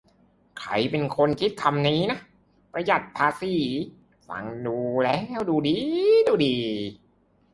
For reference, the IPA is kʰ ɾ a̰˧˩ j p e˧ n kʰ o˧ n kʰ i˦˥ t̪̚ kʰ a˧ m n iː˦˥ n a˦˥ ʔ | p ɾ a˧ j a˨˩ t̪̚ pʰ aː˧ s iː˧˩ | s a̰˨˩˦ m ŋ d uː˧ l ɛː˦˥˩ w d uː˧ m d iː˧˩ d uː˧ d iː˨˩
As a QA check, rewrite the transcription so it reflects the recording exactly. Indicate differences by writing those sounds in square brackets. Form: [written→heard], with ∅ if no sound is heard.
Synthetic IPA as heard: kʰ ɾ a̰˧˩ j p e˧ n kʰ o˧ n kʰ i˦˥ t̪̚ kʰ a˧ m n iː˦˥ n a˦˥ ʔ | p ɾ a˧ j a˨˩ t̪̚ pʰ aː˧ s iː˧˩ | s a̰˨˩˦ [m→∅] ŋ d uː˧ l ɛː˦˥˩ w d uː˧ [m→∅] d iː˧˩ d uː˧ d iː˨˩